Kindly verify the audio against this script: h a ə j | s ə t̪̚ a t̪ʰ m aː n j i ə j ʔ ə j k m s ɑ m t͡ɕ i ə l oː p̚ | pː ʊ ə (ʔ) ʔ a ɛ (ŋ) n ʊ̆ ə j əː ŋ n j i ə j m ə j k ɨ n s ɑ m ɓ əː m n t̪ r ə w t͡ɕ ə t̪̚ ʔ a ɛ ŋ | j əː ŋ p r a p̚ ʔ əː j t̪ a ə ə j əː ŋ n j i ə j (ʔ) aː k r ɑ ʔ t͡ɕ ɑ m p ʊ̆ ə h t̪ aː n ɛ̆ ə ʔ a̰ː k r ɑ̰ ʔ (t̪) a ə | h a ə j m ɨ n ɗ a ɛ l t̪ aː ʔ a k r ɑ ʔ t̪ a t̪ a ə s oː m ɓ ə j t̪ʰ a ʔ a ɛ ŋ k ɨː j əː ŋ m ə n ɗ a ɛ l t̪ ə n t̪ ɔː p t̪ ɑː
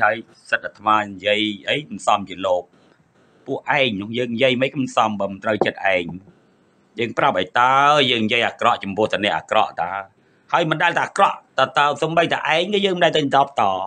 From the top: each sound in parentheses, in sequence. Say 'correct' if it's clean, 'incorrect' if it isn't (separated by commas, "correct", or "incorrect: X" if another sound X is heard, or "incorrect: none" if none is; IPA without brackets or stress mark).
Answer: correct, correct, correct, correct